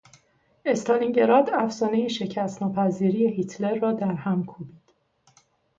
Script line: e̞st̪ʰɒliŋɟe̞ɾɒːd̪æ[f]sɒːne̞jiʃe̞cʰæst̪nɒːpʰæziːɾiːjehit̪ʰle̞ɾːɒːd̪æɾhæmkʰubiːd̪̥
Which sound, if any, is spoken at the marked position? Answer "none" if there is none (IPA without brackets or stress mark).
f